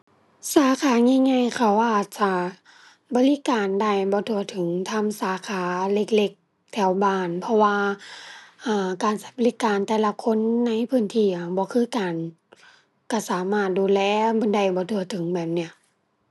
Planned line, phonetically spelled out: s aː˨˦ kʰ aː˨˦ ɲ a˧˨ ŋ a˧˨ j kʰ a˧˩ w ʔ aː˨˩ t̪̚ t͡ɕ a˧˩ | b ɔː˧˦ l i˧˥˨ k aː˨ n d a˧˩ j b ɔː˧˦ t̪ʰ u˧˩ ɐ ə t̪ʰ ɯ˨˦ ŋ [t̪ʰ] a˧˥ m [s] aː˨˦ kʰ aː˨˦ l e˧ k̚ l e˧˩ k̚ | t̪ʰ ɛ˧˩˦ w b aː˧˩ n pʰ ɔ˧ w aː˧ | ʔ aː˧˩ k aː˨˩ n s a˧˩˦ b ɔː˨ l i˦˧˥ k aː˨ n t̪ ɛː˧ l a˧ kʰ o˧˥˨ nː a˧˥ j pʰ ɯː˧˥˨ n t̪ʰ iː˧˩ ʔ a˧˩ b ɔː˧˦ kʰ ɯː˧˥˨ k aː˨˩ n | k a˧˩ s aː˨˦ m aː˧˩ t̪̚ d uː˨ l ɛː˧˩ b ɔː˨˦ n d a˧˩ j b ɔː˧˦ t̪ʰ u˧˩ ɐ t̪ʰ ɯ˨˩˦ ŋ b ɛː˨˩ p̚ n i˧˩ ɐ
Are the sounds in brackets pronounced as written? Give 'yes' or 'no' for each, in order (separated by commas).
yes, yes